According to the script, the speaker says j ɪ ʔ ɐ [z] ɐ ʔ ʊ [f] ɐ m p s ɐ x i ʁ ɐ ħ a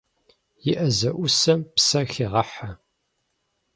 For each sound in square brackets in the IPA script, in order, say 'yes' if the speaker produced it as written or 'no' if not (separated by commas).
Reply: yes, no